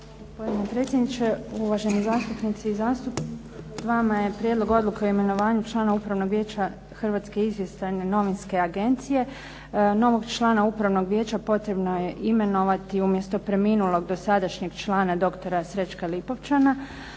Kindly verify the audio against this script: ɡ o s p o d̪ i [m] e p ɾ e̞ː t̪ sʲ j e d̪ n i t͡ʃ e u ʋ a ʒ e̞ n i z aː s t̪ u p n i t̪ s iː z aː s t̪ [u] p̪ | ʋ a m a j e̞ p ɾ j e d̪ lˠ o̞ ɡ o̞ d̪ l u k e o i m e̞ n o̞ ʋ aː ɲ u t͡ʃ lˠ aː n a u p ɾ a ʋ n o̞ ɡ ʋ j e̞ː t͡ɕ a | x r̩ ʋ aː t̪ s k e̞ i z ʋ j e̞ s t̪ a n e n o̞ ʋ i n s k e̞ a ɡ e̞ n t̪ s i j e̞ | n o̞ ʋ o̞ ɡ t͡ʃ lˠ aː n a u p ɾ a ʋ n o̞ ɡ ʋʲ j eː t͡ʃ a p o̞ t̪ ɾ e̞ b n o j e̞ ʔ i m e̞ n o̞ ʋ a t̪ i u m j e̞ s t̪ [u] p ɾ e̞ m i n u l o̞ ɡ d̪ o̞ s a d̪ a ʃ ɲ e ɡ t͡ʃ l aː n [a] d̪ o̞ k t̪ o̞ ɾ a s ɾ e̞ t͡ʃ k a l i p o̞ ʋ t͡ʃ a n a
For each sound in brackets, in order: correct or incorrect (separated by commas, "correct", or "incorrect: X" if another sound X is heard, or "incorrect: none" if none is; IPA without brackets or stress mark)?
incorrect: n, correct, incorrect: o, correct